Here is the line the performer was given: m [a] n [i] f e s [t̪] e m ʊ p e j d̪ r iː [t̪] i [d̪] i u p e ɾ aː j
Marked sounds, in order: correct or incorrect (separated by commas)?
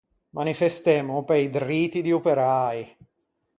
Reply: correct, correct, correct, correct, correct